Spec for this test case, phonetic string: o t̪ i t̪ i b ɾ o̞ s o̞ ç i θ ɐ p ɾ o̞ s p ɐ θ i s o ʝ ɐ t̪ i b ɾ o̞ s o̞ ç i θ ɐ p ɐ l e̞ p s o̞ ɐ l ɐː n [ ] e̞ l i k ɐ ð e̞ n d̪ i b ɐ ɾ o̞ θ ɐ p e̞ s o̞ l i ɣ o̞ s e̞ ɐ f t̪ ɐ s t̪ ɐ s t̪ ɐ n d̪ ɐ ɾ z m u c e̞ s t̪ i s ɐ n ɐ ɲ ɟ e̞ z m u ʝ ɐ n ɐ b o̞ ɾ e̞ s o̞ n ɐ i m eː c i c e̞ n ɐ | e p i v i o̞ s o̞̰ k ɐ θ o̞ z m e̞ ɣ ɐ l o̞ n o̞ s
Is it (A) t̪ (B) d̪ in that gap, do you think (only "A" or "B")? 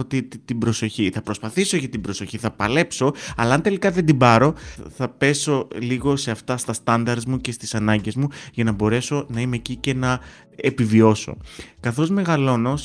A